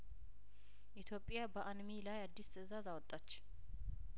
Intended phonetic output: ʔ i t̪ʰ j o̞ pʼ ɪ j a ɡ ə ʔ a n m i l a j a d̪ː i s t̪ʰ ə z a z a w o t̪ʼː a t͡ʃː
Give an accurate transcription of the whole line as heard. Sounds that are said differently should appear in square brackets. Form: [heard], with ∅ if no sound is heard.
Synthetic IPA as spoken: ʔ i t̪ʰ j o̞ pʼ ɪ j a [b] ə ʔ a n m i l a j a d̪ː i s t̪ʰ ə z a z a w [ɔ] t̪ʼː a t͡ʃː